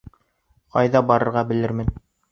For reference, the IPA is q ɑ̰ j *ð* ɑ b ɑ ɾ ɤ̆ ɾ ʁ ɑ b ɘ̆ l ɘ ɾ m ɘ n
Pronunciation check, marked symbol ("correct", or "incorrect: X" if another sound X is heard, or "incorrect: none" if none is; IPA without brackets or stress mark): correct